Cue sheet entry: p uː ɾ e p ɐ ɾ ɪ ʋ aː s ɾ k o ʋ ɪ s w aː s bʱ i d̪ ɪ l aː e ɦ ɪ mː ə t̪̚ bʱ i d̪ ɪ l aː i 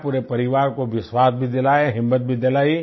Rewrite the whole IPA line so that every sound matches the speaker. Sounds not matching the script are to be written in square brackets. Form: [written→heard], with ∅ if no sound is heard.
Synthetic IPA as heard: p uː ɾ e p ɐ ɾ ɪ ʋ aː [s→∅] ɾ k o ʋ ɪ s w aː s bʱ i d̪ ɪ l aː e ɦ ɪ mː ə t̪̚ bʱ i d̪ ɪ l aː i